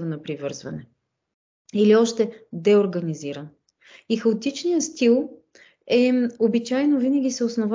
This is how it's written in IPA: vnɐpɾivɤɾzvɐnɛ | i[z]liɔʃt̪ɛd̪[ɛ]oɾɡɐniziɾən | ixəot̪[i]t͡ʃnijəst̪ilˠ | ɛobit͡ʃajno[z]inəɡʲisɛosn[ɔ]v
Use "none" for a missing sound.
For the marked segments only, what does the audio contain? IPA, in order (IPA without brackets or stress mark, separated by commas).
none, ɛ, i, v, o